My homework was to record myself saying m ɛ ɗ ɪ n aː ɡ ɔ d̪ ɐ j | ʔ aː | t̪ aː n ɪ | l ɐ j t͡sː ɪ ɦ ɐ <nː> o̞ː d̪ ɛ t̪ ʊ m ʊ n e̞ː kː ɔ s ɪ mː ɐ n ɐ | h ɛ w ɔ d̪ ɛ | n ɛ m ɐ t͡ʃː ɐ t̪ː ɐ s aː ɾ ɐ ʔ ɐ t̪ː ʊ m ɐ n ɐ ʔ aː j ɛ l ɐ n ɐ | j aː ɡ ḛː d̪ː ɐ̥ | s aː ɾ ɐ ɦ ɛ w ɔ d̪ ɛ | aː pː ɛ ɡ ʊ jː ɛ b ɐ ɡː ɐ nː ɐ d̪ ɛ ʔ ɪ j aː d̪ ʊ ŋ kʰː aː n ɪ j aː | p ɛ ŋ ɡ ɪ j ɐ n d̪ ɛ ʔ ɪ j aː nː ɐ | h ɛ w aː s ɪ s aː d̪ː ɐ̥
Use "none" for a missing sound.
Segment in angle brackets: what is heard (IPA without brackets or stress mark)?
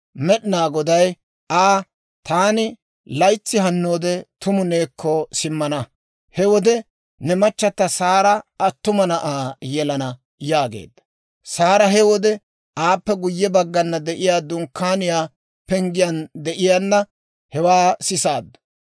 nː